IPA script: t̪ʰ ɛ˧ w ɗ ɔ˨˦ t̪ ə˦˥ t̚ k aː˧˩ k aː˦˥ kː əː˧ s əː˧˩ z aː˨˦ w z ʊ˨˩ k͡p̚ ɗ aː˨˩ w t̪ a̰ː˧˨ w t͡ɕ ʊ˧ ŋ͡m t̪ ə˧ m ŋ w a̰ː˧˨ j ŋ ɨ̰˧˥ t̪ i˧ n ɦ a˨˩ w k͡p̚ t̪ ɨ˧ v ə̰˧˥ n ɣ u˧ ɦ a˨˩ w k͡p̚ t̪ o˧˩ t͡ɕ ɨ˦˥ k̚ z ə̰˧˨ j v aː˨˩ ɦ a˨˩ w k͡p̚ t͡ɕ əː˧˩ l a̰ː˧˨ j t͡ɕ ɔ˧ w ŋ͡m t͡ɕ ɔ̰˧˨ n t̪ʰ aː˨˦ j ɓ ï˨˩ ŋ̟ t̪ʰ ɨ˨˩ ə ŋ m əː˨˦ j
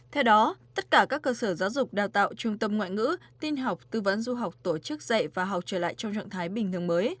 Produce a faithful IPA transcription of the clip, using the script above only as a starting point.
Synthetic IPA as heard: t̪ʰ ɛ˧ w ɗ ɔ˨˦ t̪ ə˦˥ t̚ k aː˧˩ k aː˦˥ kː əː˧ s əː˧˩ z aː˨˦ w z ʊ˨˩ k͡p̚ ɗ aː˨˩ w t̪ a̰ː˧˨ w t͡ɕ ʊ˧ ŋ͡m t̪ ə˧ m ŋ w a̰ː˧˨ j ŋ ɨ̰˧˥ t̪ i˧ n ɦ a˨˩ w k͡p̚ t̪ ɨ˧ v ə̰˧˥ n z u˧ ɦ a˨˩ w k͡p̚ t̪ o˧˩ t͡ɕ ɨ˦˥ k̚ z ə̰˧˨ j v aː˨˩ ɦ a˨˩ w k͡p̚ t͡ɕ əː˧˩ l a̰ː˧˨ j t͡ɕ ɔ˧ w ŋ͡m t͡ɕ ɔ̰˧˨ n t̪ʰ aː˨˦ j ɓ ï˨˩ ŋ̟ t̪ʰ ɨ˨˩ ə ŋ m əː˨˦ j